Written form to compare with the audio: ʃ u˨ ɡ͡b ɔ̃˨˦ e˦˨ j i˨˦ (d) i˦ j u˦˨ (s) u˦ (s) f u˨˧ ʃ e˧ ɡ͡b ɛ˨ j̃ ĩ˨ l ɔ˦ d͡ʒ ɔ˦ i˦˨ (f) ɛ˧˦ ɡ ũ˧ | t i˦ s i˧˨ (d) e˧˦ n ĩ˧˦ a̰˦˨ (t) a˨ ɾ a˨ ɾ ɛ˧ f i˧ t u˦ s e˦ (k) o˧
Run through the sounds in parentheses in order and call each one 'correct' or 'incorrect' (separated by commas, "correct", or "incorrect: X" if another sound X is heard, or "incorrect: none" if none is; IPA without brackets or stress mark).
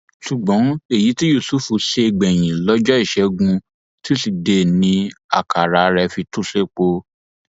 incorrect: t, correct, incorrect: none, incorrect: ʃ, correct, incorrect: k, incorrect: k͡p